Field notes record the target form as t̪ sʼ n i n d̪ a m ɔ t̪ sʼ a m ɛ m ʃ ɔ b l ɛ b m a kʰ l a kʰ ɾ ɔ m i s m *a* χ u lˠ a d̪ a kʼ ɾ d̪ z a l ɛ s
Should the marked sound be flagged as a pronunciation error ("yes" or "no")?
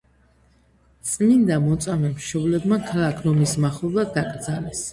no